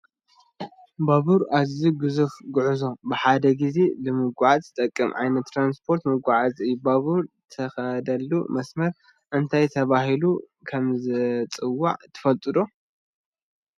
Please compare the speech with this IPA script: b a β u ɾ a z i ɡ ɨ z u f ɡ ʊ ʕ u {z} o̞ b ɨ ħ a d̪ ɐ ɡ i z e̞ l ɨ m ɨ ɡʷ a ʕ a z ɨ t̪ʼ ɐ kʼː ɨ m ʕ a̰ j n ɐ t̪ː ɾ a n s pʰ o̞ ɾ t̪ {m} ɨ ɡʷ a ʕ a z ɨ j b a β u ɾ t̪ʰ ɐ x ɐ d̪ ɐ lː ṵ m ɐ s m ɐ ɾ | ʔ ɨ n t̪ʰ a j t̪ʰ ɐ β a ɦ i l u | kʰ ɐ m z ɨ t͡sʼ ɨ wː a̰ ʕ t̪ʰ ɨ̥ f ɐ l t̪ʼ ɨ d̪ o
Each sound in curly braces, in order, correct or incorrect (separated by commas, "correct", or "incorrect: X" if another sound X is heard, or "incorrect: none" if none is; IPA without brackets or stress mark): correct, correct